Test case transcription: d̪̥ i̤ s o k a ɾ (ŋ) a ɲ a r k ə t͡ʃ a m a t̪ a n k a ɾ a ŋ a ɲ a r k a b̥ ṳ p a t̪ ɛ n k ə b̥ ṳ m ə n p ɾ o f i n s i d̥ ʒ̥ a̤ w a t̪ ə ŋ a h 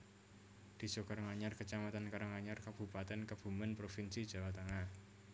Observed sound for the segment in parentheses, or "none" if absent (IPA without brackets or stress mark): ŋ